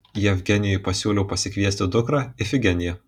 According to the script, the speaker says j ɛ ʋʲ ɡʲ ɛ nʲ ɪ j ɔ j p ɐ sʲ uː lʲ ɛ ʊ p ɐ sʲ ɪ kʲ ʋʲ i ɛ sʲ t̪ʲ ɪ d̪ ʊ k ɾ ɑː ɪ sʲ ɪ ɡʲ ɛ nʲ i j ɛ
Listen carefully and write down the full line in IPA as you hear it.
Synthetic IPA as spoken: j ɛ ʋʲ ɡʲ ɛ nʲ ɪ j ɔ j p ɐ sʲ uː lʲ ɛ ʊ p ɐ sʲ ɪ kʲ ʋʲ i ɛ sʲ t̪ʲ ɪ d̪ ʊ k ɾ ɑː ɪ fʲ ɪ ɡʲ ɛ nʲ ɪ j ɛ